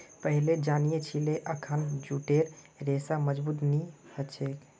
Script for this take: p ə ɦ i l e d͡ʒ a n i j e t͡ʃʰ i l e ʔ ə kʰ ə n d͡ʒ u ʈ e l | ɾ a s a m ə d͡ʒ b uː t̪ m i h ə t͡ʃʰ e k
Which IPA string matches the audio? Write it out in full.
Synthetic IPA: p ə ɦ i l e d͡ʒ a n i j e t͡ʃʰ i l e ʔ ə kʰ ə n d͡ʒ u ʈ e ɾ | ɾ e s a m ə d͡ʒ b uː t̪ n i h ə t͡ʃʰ e k